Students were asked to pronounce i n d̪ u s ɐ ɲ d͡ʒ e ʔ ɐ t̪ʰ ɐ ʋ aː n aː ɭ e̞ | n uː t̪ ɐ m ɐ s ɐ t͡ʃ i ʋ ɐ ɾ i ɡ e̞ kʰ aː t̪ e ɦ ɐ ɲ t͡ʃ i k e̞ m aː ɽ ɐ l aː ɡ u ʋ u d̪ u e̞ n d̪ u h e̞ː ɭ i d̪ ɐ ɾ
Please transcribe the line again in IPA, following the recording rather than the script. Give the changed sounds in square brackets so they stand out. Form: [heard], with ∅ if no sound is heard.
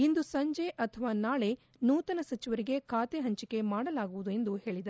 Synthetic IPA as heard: i n d̪ u s ɐ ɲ d͡ʒ e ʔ ɐ t̪ʰ ɐ ʋ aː n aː ɭ e̞ | n uː t̪ ɐ [n] ɐ s ɐ t͡ʃ i ʋ ɐ ɾ i ɡ e̞ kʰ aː t̪ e ɦ ɐ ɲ t͡ʃ i k e̞ m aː ɽ ɐ l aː ɡ u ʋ u d̪ u e̞ n d̪ u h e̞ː ɭ i d̪ ɐ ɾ